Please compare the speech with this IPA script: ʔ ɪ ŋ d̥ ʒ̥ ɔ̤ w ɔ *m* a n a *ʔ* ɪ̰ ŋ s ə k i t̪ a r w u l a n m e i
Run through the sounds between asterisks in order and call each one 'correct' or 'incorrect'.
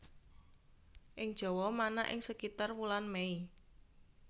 correct, correct

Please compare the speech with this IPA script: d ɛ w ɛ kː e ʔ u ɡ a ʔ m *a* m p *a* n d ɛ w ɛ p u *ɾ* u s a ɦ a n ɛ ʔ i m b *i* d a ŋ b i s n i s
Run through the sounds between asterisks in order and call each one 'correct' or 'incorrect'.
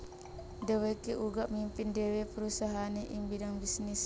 incorrect: i, incorrect: i, correct, correct

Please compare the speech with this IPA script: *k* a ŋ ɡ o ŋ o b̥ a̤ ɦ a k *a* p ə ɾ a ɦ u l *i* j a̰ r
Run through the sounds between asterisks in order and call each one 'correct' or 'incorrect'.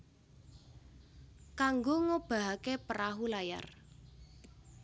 correct, incorrect: e, incorrect: a

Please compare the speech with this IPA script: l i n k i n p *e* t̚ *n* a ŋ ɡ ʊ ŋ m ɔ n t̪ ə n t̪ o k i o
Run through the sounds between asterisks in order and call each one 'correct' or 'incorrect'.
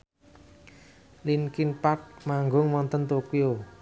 incorrect: a, incorrect: m

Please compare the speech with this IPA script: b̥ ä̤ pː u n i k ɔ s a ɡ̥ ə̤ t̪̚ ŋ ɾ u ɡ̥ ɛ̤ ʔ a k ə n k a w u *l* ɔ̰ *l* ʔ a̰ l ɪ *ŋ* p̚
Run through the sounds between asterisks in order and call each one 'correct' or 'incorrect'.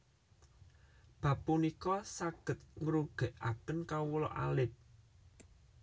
correct, incorrect: none, incorrect: none

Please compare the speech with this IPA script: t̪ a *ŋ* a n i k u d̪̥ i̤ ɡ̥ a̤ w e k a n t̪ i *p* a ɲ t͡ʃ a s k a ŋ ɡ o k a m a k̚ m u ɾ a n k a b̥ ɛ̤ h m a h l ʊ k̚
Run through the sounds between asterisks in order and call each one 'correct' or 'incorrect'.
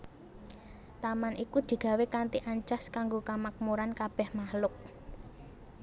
incorrect: m, incorrect: ʔ

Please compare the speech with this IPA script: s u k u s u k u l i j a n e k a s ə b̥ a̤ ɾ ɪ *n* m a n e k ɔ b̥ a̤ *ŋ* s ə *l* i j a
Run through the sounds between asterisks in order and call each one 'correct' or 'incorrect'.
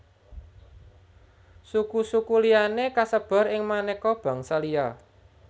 incorrect: ŋ, correct, correct

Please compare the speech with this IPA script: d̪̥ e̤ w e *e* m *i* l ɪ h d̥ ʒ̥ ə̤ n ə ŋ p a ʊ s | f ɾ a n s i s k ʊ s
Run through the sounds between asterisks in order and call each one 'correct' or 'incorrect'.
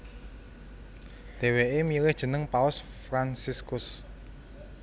correct, correct

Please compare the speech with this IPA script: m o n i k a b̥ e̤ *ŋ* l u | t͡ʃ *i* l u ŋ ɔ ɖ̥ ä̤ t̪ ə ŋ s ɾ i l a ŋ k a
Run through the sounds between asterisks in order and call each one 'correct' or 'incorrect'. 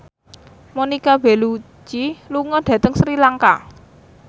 incorrect: none, correct

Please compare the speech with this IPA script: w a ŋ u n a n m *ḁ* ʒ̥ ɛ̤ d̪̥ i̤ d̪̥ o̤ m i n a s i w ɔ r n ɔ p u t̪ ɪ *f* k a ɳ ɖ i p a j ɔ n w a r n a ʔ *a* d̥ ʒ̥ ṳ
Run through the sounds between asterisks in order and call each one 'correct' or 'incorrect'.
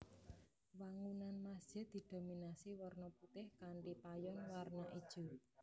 correct, incorrect: h, incorrect: i

